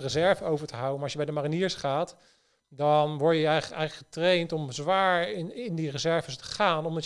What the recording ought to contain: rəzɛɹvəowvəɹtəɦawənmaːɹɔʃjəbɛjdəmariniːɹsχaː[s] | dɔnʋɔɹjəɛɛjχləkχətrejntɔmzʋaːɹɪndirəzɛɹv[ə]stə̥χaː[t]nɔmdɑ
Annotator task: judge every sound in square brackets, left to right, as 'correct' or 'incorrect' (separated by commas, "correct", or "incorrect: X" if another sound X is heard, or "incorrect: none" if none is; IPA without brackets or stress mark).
incorrect: t, correct, incorrect: none